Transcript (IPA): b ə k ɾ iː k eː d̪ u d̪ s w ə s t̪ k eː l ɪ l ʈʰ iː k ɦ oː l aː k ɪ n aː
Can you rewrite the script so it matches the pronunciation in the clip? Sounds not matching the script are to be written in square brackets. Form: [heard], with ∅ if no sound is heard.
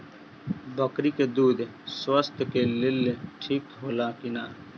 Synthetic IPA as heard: b ə k ɾ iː k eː d̪ [uː] d̪ s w ə s t̪ k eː l ɪ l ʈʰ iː k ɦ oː l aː k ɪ n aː